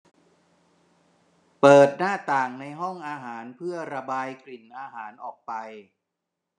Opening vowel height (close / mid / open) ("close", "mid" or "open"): mid